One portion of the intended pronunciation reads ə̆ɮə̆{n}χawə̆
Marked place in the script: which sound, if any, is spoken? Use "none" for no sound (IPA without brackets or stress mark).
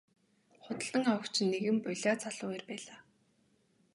ŋ